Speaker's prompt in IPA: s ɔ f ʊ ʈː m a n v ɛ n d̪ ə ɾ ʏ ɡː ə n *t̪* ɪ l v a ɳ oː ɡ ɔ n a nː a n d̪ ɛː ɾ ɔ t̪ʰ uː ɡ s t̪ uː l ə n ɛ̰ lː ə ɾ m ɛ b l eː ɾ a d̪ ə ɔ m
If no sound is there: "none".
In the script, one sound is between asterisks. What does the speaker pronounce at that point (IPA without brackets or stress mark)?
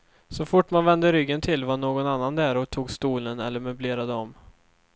t̪ʰ